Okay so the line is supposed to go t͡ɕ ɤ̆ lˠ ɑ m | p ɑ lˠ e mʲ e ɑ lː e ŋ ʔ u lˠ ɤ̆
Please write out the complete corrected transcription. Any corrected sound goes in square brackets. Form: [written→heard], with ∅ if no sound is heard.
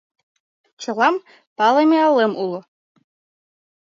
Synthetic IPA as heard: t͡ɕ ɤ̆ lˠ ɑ m | p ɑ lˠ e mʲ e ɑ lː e [ŋ→m] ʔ u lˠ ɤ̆